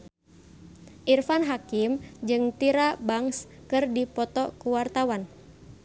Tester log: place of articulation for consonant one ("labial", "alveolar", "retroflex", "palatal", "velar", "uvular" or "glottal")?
glottal